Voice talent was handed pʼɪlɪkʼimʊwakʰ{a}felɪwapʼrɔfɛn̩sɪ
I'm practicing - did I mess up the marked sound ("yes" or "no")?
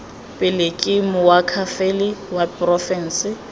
no